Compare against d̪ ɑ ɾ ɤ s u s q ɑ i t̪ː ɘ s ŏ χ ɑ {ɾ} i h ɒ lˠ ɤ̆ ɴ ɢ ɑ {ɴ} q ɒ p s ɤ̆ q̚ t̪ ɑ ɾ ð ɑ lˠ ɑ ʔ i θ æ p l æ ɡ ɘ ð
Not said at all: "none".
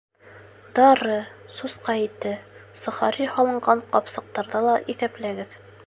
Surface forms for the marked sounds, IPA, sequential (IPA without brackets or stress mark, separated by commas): ɾ, ɴ